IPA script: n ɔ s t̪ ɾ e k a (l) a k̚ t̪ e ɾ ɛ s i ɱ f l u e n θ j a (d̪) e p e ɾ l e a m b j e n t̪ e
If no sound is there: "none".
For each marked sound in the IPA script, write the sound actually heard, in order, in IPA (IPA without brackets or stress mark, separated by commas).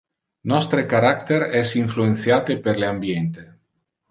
ɾ, t̪